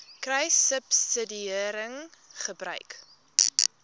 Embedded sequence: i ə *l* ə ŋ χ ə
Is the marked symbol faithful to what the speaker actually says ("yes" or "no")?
no